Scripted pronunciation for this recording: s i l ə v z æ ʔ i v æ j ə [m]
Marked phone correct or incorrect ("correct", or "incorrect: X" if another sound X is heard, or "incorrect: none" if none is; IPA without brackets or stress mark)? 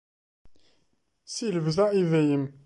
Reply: correct